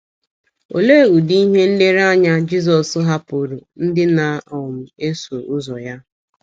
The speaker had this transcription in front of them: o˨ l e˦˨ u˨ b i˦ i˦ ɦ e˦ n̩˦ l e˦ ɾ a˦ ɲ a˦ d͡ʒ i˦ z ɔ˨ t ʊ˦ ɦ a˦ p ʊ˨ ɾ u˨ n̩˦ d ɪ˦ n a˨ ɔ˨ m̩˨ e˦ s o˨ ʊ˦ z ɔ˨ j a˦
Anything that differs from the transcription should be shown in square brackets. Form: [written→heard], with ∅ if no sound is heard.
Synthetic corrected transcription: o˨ l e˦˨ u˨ [b→d] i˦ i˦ ɦ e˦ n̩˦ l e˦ ɾ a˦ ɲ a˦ d͡ʒ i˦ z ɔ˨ [t→s] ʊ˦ ɦ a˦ p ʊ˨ ɾ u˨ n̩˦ d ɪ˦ n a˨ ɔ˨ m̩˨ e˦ s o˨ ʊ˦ z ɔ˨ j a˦